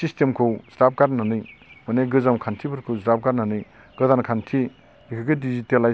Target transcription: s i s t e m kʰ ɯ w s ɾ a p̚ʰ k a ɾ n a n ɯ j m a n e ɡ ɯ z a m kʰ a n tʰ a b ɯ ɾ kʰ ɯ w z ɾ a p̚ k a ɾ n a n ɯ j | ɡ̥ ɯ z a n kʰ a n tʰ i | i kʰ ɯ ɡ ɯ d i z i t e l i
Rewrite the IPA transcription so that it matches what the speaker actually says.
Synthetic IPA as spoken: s i s t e m kʰ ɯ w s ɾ a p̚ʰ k a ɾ n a n ɯ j m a n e ɡ ɯ z a m kʰ a n tʰ i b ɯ ɾ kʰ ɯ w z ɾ a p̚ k a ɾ n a n ɯ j | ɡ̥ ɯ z a n kʰ a n tʰ i | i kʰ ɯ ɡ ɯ d i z i t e l a